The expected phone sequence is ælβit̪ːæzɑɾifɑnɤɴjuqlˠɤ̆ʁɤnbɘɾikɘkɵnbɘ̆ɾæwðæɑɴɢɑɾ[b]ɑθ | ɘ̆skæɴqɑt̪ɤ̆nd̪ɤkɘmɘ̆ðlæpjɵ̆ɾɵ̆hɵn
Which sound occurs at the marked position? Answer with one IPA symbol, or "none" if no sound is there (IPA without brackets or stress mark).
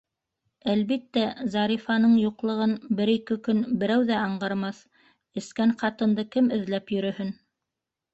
m